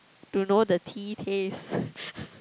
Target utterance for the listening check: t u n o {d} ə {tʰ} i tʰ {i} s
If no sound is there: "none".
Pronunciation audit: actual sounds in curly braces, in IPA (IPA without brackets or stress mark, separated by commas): d, tʰ, e